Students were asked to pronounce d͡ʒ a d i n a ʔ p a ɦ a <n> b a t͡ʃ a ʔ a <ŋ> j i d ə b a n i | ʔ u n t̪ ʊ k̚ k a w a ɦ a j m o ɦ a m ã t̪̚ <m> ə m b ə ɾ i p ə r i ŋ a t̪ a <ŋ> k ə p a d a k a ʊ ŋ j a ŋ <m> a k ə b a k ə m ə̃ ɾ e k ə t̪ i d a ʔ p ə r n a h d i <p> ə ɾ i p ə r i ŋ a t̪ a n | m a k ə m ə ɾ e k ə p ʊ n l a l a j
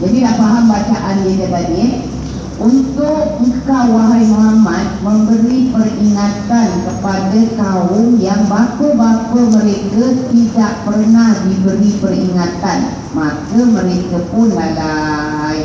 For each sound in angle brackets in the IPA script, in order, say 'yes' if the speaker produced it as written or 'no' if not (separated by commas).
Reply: no, no, yes, no, no, no